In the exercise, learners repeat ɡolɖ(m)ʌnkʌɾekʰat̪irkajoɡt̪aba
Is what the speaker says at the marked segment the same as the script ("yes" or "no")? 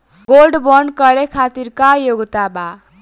no